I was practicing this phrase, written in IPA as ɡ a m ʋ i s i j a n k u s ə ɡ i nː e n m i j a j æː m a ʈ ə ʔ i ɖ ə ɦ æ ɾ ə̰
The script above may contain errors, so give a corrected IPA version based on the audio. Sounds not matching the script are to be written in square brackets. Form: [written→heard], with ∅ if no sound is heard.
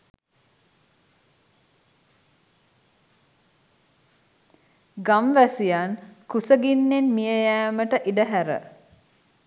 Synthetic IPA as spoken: ɡ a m ʋ [i→æ] s i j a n k u s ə ɡ i nː e n m i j [a→ə] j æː m [a→ə] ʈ ə ʔ i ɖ ə ɦ æ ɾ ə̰